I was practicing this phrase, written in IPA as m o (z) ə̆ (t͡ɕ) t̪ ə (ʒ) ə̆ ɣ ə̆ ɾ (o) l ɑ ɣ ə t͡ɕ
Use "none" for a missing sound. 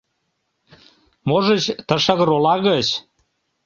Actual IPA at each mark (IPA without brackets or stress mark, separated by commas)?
ʒ, t͡ɕ, ʃ, o